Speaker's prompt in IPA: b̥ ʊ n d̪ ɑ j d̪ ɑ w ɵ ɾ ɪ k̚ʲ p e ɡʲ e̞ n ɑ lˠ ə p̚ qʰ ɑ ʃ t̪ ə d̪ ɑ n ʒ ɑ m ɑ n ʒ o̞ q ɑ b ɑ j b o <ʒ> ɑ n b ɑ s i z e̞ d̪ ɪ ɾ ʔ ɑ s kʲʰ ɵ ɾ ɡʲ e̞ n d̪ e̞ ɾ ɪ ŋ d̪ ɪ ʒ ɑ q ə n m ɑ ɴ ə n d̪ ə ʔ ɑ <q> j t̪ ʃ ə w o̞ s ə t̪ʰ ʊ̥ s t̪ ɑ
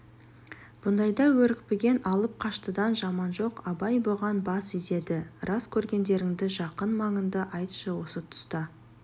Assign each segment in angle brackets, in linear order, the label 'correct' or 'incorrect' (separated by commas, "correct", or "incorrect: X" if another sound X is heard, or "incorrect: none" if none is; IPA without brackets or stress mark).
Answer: incorrect: ʁ, incorrect: none